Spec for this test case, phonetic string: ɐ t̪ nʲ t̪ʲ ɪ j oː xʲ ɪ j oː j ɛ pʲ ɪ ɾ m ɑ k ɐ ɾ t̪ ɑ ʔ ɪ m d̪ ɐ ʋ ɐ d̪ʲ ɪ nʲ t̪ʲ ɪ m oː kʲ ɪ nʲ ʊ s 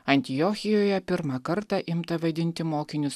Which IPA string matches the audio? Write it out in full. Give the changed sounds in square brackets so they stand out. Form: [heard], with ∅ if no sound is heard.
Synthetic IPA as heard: ɐ [∅] nʲ t̪ʲ ɪ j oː xʲ ɪ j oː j ɛ pʲ ɪ ɾ m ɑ k ɐ ɾ t̪ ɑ ʔ ɪ m [t̪] ɐ ʋ ɐ d̪ʲ ɪ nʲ t̪ʲ ɪ m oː kʲ ɪ nʲ ʊ s